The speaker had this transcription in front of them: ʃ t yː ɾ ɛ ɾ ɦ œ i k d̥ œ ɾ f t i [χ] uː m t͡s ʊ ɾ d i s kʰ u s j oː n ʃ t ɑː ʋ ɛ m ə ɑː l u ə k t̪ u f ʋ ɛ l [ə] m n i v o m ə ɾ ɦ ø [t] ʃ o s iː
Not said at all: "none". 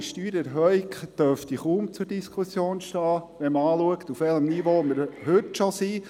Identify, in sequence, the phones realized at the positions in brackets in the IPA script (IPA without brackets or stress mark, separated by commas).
χ, ə, t